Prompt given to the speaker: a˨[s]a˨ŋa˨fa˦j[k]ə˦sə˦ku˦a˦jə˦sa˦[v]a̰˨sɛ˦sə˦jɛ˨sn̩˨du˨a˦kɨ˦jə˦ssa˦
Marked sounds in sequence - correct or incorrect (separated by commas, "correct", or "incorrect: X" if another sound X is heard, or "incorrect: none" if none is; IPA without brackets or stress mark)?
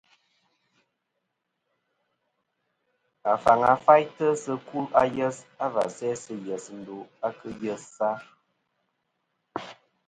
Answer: incorrect: f, incorrect: t, correct